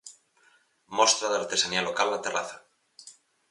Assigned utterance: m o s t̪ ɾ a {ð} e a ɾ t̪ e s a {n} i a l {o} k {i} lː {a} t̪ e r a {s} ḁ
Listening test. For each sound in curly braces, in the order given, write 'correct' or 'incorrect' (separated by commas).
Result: correct, correct, correct, incorrect, correct, incorrect